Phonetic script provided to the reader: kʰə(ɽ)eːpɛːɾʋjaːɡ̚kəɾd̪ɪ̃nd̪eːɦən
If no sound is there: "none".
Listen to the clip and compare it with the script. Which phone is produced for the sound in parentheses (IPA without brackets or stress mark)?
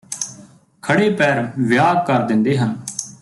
ɽ